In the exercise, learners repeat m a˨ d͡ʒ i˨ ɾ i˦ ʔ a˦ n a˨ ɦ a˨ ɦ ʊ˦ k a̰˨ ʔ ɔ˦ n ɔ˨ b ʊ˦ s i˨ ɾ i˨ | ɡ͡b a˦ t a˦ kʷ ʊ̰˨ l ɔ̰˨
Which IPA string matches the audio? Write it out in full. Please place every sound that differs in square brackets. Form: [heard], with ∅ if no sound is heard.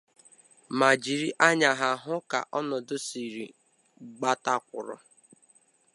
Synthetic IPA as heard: m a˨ d͡ʒ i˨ ɾ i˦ ʔ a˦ [ɲ] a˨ ɦ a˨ ɦ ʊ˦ k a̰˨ ʔ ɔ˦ n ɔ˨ [d] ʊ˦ s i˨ ɾ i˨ | ɡ͡b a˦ t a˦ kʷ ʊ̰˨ [ɾ] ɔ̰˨